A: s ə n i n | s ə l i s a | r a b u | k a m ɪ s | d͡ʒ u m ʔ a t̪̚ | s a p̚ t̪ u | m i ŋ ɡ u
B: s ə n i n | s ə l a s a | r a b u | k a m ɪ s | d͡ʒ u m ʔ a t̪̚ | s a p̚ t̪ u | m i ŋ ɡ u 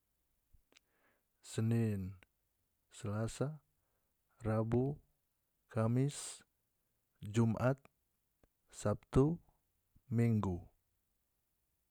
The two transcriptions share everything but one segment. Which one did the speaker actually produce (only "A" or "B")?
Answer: B